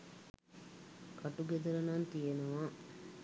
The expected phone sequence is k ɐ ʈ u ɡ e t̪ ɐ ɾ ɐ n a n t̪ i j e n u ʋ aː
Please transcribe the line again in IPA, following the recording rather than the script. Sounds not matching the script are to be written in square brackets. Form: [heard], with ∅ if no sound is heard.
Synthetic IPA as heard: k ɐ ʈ u ɡ e [d̪] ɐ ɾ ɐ n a n t̪ i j e n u ʋ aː